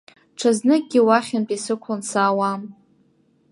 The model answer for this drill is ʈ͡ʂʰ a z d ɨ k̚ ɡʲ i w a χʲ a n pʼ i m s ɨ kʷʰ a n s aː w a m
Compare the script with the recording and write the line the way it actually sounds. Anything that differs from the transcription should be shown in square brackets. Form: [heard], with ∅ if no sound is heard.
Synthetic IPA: ʈ͡ʂʰ a z [n] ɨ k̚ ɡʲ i w a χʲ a n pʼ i [∅] s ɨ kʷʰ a n s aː w a m